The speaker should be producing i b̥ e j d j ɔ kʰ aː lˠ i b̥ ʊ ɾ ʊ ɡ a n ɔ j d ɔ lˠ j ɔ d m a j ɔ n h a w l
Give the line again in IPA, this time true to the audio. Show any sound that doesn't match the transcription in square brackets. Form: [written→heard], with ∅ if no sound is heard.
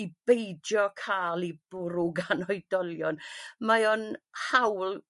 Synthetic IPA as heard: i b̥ e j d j ɔ kʰ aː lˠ i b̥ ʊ ɾ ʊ ɡ a n ɔ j d ɔ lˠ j ɔ [d→n] m a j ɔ n h a w l

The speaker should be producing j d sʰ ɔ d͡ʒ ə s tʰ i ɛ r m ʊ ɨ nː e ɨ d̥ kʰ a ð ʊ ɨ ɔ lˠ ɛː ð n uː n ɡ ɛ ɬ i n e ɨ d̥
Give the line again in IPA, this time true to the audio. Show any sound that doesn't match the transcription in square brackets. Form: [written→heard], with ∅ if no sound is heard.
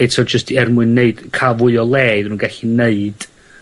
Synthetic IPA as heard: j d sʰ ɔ d͡ʒ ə s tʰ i ɛ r m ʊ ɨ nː e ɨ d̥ kʰ a [ð→v] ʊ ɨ ɔ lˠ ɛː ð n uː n ɡ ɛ ɬ i n e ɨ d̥

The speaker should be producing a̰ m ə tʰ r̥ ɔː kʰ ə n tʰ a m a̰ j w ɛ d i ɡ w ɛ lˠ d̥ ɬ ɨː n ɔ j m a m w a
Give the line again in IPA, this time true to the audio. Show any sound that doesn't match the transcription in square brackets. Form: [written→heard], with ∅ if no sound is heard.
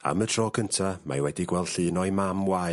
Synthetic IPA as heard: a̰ m ə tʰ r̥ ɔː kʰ ə n tʰ a m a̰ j w ɛ d i ɡ w ɛ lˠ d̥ ɬ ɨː n ɔ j m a m w a

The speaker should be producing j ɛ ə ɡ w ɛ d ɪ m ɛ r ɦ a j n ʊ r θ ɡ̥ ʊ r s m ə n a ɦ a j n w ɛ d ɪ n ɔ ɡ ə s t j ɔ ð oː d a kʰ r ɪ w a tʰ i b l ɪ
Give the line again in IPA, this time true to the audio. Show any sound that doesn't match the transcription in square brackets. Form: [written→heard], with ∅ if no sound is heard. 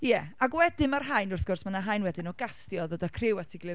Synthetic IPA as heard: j ɛ [ə→a] ɡ w ɛ d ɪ m [ɛ→a] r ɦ a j n ʊ r θ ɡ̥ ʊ r s m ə n a ɦ a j n w ɛ d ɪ n ɔ ɡ [ə→a] s t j ɔ ð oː d a kʰ r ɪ w a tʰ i [b→ɡ] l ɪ

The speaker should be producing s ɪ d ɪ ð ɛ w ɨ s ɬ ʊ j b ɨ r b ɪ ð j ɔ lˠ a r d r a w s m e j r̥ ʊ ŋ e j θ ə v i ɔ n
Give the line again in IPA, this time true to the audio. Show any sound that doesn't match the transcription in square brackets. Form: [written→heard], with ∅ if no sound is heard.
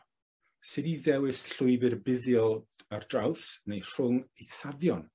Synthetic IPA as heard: s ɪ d [ɪ→i] ð ɛ w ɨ s ɬ ʊ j b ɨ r b ɪ ð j ɔ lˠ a r d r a w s [m→n] e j r̥ ʊ ŋ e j θ [ə→a] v [i→j] ɔ n

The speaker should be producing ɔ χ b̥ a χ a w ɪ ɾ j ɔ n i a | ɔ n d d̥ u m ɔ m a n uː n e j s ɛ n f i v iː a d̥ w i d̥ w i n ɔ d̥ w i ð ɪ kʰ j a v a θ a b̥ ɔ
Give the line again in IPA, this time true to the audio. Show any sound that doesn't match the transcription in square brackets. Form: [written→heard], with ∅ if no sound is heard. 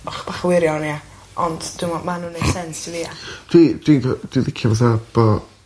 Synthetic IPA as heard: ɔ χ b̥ a χ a w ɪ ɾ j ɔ n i a | ɔ n d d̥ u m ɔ m a n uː n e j s ɛ n [f→s] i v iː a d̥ w i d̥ w i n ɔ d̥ w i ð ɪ kʰ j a v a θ a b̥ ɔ

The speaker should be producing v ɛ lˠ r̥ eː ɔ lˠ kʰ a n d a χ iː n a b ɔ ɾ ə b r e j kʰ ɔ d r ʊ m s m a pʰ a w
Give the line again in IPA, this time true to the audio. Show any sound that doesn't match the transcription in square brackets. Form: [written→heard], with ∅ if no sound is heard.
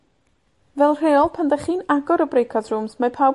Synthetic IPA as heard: v ɛ lˠ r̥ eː ɔ lˠ [kʰ→pʰ] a n d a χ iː n a [b→ɡ] ɔ ɾ ə b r e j kʰ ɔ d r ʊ m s m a pʰ a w

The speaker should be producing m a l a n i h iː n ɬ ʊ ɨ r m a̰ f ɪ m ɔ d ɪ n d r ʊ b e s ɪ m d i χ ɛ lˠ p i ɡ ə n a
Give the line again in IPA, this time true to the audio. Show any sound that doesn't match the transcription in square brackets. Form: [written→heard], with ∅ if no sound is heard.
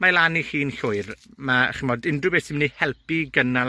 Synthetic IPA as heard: m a l a n i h iː n ɬ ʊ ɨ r m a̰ [f→χ] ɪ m ɔ d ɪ n d r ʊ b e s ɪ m [d→n] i [χ→h] ɛ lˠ p i ɡ ə n a

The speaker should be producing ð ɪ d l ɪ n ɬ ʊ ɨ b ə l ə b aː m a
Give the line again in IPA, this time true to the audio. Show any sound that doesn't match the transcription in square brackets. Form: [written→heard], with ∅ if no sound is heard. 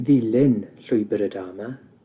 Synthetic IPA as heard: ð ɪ [d→∅] l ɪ n ɬ ʊ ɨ b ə [l→ɾ] ə [b→d] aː m a

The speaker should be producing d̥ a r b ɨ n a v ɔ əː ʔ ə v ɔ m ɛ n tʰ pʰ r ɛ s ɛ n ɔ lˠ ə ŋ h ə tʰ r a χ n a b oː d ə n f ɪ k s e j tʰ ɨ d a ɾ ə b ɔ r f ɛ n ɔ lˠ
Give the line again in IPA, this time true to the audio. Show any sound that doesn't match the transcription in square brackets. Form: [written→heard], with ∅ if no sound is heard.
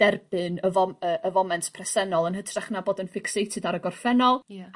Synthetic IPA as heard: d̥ [a→ɛ] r b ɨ n [a→ə] v ɔ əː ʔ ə v ɔ m ɛ n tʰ pʰ r ɛ s ɛ n ɔ lˠ ə [ŋ→n] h ə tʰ r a χ n a b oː d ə n f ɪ k s e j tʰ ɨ d a ɾ ə [b→ɡ] ɔ r f ɛ n ɔ lˠ

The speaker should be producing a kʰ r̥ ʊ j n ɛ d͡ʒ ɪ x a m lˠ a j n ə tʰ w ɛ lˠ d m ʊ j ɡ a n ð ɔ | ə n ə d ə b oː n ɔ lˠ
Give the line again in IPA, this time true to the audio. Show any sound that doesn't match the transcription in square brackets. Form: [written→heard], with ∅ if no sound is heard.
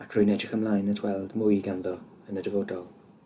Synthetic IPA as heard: a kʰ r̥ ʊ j n ɛ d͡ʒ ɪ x [a→ə] m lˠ a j n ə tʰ w ɛ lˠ d m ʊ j ɡ a n ð ɔ | ə n ə d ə [b→v] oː [n→d] ɔ lˠ

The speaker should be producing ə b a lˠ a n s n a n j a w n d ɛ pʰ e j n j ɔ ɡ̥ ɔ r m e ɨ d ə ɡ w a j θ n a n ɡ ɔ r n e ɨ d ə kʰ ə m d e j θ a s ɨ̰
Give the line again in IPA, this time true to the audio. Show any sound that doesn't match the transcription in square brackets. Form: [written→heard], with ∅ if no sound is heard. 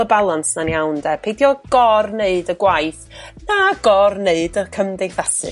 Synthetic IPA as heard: ə b a lˠ a n s n a n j a w n d ɛ pʰ e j [n→d] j ɔ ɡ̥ ɔ r [m→n] e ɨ d ə ɡ w a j θ n a [n→∅] ɡ ɔ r n e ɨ d ə kʰ ə m d e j θ a s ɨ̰

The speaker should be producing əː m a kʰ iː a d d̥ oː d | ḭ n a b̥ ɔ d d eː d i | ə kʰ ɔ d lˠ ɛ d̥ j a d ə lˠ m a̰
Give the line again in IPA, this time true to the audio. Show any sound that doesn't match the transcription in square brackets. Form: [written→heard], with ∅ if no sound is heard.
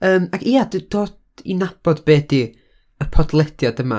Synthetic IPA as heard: əː m a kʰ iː a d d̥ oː d | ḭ n a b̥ ɔ d [d→b] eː d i | ə [kʰ→pʰ] ɔ d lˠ ɛ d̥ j a d ə [lˠ→∅] m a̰

